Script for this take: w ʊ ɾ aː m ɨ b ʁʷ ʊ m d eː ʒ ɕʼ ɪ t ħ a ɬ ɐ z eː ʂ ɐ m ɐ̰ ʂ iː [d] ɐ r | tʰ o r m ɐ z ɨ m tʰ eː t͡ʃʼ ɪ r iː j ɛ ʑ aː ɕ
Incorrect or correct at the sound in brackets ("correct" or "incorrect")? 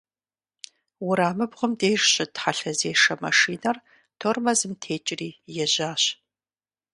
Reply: incorrect